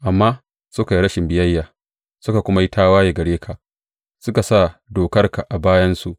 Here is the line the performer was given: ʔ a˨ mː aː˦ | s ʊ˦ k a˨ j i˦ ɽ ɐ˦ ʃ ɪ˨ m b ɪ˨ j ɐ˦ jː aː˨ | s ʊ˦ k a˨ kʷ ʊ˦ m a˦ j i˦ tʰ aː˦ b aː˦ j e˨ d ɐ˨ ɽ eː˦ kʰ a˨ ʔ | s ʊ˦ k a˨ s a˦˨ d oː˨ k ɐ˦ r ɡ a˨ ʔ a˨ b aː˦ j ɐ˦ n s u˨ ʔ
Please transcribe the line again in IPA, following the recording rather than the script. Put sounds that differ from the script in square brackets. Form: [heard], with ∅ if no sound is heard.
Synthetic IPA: ʔ a˨ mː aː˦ | s ʊ˦ k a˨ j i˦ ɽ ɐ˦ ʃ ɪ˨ m b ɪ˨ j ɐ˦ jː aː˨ | s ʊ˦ k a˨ kʷ ʊ˦ m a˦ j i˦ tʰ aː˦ [w] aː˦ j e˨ [ɡ] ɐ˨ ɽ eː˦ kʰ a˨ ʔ | s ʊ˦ k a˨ s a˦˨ d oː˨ k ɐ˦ r [k] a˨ ʔ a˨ b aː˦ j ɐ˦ n s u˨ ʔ

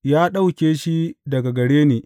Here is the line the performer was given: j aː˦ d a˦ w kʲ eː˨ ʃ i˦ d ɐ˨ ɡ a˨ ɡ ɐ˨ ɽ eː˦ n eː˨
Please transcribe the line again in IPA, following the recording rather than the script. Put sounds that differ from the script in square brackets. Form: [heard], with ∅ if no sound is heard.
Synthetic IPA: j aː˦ [ɗ] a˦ w kʲ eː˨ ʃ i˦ d ɐ˨ ɡ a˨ ɡ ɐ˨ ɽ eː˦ n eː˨

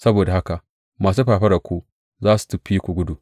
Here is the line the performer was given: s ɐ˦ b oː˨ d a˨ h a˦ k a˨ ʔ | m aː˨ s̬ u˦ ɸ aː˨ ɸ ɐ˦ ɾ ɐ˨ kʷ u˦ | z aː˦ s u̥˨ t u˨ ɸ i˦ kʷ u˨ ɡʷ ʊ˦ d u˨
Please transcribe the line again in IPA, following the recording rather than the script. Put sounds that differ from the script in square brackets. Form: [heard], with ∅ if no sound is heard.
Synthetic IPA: s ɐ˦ b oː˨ d a˨ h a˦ k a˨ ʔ | m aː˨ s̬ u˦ ɸ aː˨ ɸ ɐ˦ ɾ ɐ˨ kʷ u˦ | z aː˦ s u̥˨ t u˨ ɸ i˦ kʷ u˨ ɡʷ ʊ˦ d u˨

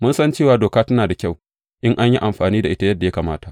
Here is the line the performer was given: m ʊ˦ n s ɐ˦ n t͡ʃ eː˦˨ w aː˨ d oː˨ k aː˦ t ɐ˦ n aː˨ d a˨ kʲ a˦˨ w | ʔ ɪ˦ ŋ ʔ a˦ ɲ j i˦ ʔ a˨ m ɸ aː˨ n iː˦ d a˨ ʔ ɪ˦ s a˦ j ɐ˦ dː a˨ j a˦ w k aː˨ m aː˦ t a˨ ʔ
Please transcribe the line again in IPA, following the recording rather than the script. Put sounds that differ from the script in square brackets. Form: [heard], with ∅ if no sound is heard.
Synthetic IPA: m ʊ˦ n s ɐ˦ n t͡ʃ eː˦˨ w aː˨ d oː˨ k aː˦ t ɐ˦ n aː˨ d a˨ kʲ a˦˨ w | ʔ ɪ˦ ŋ ʔ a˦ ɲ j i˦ ʔ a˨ m ɸ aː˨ n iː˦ d a˨ ʔ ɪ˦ [t] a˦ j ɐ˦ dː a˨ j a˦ [∅] k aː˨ m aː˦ t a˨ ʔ

